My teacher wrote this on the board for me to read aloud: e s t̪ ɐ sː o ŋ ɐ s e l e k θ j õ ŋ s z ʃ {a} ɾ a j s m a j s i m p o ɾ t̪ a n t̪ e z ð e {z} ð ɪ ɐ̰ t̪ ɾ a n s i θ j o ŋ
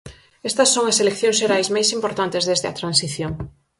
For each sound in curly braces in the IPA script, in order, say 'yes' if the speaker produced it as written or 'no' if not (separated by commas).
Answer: no, yes